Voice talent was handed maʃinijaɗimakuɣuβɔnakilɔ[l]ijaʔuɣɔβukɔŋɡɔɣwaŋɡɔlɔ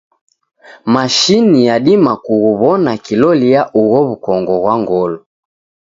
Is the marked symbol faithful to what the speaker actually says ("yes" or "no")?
yes